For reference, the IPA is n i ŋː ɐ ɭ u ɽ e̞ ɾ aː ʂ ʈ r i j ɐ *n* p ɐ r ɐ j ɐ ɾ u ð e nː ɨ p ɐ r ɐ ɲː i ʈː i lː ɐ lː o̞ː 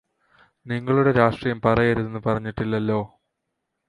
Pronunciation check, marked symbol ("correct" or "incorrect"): incorrect